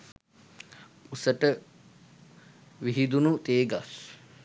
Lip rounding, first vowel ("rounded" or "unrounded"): rounded